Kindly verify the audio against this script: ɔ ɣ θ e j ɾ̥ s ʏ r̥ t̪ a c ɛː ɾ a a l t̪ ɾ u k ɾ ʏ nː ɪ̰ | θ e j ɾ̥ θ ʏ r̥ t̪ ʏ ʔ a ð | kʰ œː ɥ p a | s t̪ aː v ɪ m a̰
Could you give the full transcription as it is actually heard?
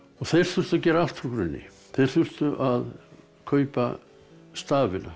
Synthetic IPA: ɔ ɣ θ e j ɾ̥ θ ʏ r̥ t̪ a c ɛː ɾ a a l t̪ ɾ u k ɾ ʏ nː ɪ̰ | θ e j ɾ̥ θ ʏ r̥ t̪ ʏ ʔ a ð | kʰ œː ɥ p a | s t̪ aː v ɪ n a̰